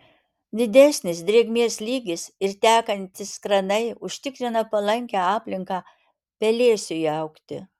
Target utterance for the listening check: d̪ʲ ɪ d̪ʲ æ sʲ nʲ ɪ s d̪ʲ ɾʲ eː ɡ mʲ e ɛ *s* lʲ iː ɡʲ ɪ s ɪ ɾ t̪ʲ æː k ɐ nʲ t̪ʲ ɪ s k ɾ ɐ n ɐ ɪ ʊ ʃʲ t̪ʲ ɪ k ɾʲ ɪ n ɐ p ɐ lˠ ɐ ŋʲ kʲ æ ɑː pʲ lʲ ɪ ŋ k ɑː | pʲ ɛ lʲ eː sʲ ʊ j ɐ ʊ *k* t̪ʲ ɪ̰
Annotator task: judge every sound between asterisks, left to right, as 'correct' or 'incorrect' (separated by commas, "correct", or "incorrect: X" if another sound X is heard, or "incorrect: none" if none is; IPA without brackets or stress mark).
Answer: correct, correct